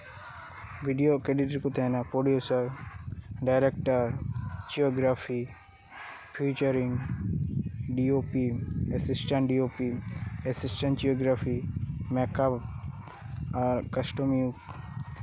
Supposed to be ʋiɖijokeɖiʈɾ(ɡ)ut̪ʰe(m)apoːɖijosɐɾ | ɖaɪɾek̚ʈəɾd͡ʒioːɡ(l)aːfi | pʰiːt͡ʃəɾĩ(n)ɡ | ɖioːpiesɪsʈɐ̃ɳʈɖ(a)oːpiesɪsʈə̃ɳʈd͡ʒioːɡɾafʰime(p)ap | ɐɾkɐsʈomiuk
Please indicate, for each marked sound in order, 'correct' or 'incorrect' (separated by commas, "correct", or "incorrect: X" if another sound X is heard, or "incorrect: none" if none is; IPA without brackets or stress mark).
incorrect: k, incorrect: n, incorrect: ɾ, incorrect: ŋ, incorrect: i, incorrect: k